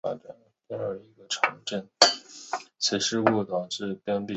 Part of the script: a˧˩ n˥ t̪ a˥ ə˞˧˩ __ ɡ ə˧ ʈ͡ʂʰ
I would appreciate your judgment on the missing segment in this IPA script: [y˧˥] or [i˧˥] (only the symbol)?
i˧˥